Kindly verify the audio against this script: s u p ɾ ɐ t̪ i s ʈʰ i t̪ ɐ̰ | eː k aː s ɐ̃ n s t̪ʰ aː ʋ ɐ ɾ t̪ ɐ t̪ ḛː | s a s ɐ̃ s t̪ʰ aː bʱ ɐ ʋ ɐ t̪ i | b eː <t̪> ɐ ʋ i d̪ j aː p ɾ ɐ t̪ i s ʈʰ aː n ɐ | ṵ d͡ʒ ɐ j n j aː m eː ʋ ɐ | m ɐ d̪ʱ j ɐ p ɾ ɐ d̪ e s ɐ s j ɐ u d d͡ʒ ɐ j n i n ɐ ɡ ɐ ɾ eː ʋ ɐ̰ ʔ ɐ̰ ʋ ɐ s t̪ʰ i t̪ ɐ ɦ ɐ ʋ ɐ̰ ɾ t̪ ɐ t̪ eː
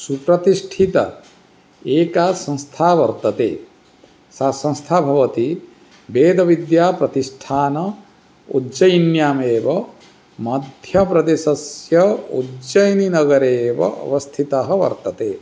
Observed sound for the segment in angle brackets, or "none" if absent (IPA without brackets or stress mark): d̪